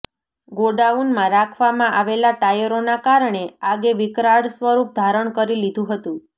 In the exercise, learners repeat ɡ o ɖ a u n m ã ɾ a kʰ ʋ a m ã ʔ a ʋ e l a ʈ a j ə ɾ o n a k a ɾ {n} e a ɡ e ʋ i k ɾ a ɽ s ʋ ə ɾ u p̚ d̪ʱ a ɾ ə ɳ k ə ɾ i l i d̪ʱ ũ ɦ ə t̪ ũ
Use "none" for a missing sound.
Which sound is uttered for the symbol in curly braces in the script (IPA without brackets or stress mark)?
ɳ